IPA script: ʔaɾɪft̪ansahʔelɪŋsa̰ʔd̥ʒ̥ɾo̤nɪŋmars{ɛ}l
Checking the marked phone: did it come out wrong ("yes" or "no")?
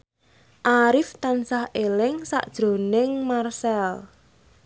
no